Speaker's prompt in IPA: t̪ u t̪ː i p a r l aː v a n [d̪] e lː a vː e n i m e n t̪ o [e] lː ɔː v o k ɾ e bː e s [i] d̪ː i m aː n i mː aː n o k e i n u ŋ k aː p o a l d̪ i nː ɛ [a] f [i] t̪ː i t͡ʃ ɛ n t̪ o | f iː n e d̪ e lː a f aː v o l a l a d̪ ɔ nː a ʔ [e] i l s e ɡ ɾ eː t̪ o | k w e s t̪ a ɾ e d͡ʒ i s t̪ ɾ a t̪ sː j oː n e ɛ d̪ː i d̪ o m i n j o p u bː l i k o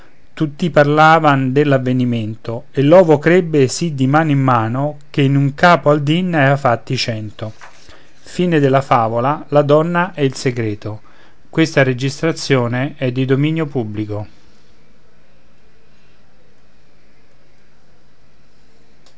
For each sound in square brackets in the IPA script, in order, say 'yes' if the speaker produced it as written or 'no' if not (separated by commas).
yes, yes, yes, yes, no, no